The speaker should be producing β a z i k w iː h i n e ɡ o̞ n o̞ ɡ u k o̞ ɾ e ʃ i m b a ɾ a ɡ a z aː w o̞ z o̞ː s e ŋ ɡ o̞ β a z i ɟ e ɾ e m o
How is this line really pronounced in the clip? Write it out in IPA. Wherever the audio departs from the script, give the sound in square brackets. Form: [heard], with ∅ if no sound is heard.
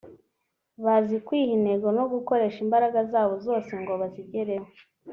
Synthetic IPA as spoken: β a z i k w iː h i n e ɡ o̞ n o̞ ɡ u k o̞ ɾ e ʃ i m b a ɾ a ɡ a z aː [β] o̞ z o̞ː s e ŋ ɡ o̞ β a z i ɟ e ɾ e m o